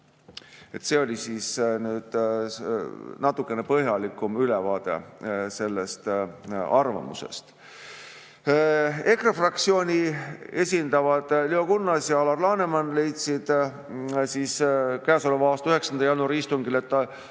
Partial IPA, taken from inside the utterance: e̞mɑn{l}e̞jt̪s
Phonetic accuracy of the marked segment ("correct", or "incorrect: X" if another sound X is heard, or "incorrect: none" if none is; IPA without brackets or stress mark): correct